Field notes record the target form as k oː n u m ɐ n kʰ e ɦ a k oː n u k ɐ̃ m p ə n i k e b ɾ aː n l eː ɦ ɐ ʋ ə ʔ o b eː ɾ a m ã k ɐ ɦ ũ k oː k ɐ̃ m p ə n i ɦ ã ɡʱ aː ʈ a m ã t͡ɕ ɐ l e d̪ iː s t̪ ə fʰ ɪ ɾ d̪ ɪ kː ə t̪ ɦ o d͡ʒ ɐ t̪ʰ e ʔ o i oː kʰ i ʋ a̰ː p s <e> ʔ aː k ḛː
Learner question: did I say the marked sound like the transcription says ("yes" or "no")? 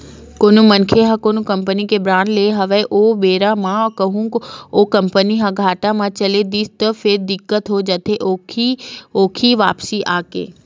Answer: no